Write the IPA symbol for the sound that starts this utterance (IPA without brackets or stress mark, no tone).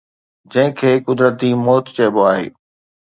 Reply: d͡ʑ